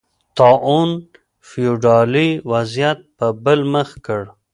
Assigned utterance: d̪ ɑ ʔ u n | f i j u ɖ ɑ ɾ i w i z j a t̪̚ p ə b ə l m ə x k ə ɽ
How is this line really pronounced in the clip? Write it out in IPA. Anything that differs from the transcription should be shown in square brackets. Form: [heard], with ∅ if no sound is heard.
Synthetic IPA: [t̪] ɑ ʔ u n | f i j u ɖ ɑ [l] i w [a] z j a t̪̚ p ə b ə l m ə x k ə ɽ